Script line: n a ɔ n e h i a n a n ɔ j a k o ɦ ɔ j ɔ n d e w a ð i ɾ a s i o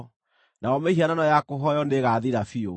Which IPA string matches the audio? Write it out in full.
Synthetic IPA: n a ɔ m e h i a n a n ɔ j a k o ɦ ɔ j ɔ n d e ɣ a ð i ɾ a f i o